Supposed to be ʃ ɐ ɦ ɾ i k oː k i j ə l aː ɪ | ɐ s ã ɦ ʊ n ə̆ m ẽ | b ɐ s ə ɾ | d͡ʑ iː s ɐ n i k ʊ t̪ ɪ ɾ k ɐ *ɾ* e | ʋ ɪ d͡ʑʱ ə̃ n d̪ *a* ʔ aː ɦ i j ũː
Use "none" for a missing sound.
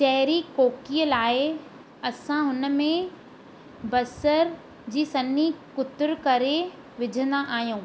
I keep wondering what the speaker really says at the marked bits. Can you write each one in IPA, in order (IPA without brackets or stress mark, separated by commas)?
ɾ, a